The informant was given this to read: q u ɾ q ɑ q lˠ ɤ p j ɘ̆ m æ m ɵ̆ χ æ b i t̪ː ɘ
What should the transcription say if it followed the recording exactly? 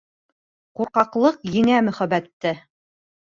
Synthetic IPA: q u ɾ q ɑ q lˠ ɤ q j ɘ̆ ŋ æ m ɵ̆ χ æ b æ t̪ː ɘ